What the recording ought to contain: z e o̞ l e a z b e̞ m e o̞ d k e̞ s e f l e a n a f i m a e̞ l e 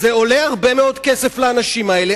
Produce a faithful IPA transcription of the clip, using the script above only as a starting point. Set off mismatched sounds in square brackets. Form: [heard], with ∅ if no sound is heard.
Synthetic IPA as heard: z e o̞ l e a [ʁ] b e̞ m e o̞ d k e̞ s e f l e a n a [ʃ] i m a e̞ l e